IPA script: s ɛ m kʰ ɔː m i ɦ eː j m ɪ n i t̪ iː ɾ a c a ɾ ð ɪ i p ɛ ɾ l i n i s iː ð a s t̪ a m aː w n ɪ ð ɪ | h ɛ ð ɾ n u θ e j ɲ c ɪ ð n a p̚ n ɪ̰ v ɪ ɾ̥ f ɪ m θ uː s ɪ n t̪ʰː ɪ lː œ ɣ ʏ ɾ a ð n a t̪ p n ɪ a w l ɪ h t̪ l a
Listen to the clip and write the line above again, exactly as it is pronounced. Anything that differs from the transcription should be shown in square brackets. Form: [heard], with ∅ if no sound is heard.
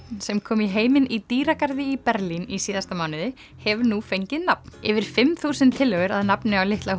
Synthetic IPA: s ɛ m kʰ ɔː m i ɦ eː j m ɪ n i t̪ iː ɾ a [k] a ɾ ð ɪ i p ɛ ɾ l i n i s iː ð a s t̪ a m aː w n ɪ ð ɪ | h ɛ [v] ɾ n u [f] e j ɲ c ɪ ð n a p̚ n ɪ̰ v ɪ ɾ̥ f ɪ m θ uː s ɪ n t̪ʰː ɪ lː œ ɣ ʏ ɾ a ð n a [∅] p n ɪ a w l ɪ h t̪ l a